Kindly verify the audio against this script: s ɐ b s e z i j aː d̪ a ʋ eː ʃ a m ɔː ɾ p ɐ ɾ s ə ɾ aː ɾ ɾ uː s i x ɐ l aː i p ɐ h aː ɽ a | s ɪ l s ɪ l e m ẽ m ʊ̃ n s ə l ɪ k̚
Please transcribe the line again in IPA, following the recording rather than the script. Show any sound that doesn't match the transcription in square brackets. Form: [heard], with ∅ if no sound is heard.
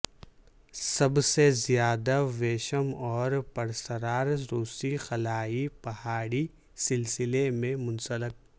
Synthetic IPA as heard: s ɐ b s e z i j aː d̪ a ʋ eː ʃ [ə] m ɔː ɾ p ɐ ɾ s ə ɾ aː ɾ ɾ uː s i x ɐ l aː i p ɐ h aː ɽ [i] | s ɪ l s ɪ l e m ẽ m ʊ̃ n s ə l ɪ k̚